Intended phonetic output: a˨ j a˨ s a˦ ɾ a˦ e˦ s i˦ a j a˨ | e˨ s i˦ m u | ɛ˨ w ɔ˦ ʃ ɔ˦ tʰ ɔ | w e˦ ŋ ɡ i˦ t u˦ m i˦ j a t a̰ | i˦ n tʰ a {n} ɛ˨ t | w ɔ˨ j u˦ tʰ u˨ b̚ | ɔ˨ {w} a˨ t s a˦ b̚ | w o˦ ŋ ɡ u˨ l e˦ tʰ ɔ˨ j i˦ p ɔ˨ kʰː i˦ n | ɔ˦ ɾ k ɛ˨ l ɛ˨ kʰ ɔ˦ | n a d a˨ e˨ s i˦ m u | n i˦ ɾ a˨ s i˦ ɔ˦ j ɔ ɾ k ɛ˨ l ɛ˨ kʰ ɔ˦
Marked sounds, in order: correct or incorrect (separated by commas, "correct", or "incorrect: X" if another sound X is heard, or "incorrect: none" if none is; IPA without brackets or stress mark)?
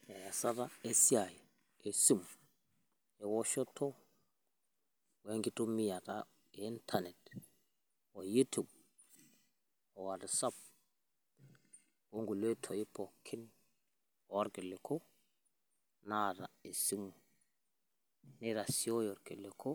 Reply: correct, correct